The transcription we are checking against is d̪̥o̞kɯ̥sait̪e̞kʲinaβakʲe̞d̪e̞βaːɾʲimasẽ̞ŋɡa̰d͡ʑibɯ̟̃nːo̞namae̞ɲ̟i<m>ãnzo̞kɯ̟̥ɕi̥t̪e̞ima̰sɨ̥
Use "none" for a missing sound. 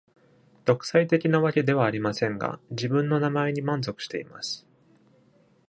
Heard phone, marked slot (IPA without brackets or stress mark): m